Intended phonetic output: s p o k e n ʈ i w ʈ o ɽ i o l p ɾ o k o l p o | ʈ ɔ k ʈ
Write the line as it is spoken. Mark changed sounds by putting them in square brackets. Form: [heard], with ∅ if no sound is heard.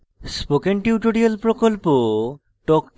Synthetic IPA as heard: s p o k e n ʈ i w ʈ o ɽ i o l p ɾ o k o l p o | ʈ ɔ k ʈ